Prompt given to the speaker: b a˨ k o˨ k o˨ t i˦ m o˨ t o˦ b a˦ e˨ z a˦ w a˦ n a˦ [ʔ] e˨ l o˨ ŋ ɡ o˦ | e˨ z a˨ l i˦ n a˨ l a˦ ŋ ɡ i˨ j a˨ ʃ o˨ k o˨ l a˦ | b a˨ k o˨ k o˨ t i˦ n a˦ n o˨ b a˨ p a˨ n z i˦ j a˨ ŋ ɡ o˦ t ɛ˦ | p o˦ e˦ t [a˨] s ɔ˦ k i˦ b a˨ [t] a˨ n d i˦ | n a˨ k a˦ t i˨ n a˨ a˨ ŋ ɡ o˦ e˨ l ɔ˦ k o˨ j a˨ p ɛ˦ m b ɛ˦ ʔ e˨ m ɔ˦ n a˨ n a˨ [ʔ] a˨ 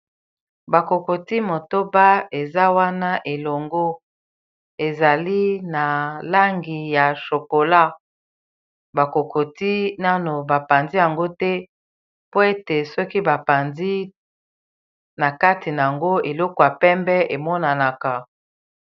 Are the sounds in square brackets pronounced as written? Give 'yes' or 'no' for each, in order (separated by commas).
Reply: yes, no, no, no